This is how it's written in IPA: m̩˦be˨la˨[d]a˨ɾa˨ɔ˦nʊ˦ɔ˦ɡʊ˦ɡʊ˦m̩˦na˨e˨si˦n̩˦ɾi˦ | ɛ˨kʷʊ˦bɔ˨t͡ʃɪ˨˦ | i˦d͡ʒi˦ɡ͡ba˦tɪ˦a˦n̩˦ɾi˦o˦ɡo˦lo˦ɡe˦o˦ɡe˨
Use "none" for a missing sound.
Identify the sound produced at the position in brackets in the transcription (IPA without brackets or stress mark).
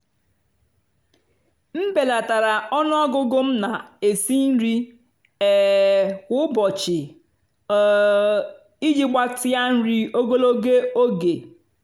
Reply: t